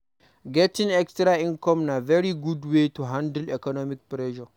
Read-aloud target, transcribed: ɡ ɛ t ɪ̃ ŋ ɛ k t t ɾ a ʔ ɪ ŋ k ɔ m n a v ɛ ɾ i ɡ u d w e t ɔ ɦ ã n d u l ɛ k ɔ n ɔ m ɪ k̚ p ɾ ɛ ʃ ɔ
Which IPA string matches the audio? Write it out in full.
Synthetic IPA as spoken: ɡ ɛ t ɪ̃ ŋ ɛ k s t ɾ a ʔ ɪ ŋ k ɔ m n a v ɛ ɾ i ɡ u d w e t u ɦ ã n d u l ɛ k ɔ n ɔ m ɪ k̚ p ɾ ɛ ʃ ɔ